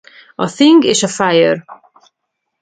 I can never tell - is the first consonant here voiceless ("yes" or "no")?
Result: yes